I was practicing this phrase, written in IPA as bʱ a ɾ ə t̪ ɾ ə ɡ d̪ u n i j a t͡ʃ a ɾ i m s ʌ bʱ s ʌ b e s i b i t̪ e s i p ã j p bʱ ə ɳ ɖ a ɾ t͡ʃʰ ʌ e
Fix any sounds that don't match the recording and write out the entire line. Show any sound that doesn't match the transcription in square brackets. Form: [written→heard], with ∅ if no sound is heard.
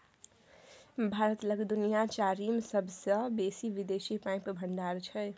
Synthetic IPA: bʱ a ɾ ə t̪ [ɾ→l] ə ɡ d̪ u n i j a t͡ʃ a ɾ i m s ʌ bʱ s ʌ b e s i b i [t̪→d̪] e s i p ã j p bʱ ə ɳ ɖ a ɾ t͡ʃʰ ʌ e

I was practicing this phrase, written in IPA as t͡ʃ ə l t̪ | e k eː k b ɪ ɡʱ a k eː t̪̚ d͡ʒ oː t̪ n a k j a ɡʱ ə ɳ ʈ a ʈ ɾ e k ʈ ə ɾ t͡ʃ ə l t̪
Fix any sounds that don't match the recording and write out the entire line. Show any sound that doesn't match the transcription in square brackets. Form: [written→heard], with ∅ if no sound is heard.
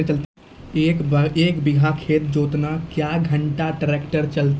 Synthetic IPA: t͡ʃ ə l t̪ | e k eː k b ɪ ɡʱ a [k→kʰ] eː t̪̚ d͡ʒ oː t̪ n a k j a ɡʱ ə ɳ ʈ a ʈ ɾ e k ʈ ə ɾ t͡ʃ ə l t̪

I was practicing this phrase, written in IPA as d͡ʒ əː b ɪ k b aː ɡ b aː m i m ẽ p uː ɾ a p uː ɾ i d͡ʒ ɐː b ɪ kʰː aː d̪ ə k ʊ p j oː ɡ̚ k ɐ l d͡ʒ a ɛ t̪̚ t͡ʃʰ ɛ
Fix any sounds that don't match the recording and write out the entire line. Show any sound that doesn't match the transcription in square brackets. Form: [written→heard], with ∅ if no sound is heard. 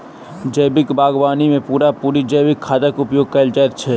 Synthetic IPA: d͡ʒ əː b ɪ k b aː ɡ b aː [m→n] i m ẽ p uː ɾ a p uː ɾ i d͡ʒ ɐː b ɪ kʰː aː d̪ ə k ʊ p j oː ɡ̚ k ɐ l d͡ʒ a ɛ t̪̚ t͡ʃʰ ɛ

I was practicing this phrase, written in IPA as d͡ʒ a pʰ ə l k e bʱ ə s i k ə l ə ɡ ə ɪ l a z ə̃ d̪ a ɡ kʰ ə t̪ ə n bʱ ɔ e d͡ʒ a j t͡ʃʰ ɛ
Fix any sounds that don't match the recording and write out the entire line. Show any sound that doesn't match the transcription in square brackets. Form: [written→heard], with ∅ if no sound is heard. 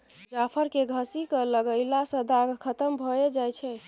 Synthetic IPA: d͡ʒ a pʰ ə [l→ɾ] k e [bʱ→ɡʱ] ə s i k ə l ə ɡ ə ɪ l a [z→s] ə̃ d̪ a ɡ kʰ ə t̪ ə [n→m] bʱ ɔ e d͡ʒ a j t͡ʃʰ ɛ

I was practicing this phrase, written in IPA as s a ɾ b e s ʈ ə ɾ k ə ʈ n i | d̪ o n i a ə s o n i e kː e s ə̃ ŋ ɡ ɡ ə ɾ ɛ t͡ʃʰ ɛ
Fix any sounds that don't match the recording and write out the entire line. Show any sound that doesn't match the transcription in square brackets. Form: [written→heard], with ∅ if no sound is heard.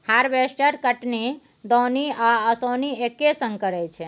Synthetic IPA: [s→h] a ɾ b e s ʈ ə ɾ k ə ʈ n i | d̪ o n i a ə s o n i e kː e s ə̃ ŋ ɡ [ɡ→k] ə ɾ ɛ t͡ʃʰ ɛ

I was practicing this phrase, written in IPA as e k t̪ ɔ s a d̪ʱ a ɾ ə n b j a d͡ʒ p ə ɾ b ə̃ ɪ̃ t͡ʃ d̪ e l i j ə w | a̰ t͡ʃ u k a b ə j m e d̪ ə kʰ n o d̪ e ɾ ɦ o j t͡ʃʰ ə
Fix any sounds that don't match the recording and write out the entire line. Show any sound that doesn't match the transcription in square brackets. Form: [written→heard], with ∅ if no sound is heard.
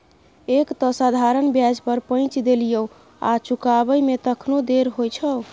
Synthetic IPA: e k t̪ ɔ s a d̪ʱ a ɾ ə n b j a d͡ʒ p ə ɾ [b→p] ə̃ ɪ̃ t͡ʃ d̪ e l i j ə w | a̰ t͡ʃ u k a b ə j m e [d̪→t̪] ə kʰ n o d̪ e ɾ ɦ o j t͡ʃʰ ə

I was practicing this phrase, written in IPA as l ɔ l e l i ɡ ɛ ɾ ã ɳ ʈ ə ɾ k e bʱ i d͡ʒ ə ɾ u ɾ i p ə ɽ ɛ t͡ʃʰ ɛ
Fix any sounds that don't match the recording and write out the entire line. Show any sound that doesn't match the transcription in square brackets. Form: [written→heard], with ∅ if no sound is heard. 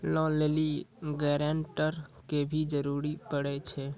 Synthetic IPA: l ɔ l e l i ɡ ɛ ɾ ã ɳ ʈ ə ɾ k e bʱ i d͡ʒ ə ɾ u ɾ i p ə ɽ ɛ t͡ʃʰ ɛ

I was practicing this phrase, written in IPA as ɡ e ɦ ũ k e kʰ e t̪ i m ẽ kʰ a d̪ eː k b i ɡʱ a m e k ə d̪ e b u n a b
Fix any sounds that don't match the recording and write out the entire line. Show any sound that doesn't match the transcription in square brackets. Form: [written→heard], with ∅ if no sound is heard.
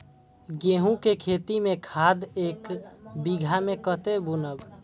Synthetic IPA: ɡ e ɦ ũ k e kʰ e t̪ i m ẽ kʰ a d̪ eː k b i ɡʱ a m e k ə [d̪→t̪] e b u n [a→ə] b

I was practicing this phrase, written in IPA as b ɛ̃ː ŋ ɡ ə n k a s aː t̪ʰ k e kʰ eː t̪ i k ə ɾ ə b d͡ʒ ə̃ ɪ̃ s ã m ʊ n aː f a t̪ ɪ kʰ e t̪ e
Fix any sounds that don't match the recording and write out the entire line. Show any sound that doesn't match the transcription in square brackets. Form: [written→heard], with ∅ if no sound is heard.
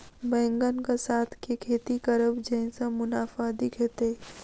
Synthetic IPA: b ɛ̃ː ŋ ɡ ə n k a s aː t̪ʰ k e kʰ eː t̪ i k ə ɾ ə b d͡ʒ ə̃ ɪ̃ s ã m ʊ n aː f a [t̪→d̪] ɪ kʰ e t̪ e

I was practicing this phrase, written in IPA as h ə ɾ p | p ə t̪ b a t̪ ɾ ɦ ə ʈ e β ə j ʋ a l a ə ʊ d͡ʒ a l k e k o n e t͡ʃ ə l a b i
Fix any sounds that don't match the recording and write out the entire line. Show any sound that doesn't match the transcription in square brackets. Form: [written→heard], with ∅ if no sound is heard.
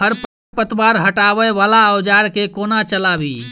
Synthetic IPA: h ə ɾ p | p ə t̪ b a [t̪→∅] ɾ ɦ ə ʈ [e→a] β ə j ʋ a l a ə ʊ d͡ʒ a [l→ɾ] k e k o n [e→a] t͡ʃ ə l a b i

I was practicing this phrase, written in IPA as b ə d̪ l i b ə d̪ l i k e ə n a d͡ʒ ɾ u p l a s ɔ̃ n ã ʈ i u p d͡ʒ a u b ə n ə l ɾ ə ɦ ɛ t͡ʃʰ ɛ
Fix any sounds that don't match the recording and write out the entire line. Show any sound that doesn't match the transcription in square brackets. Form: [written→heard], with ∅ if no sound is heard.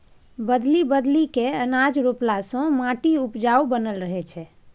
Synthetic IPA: b ə d̪ l i b ə d̪ l i k e ə n a d͡ʒ ɾ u p l a s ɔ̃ [n→m] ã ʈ i u p d͡ʒ a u b ə n ə l ɾ ə ɦ ɛ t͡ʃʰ ɛ

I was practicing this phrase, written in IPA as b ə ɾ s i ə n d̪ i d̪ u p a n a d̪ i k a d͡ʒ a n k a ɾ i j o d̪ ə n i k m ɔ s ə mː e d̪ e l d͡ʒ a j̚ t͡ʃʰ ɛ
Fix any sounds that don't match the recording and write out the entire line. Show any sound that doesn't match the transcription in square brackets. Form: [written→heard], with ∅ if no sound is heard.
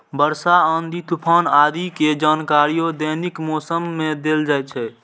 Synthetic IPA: b ə ɾ s [i→a] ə n d̪ i [d̪→t̪] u [p→pʰ] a n a d̪ i k [a→e] d͡ʒ a n k a ɾ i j o d̪ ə n i k m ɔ s ə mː e d̪ e l d͡ʒ a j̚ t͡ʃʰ ɛ

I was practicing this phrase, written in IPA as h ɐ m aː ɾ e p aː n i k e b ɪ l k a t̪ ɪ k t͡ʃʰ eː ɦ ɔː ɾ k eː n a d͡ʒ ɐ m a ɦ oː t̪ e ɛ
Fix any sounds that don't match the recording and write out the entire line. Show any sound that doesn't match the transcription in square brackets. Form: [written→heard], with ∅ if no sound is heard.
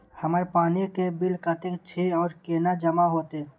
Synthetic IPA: h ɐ m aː ɾ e p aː n i k e b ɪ l k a t̪ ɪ k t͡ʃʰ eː [ɦ→∅] ɔː ɾ k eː n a d͡ʒ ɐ m a ɦ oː t̪ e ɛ

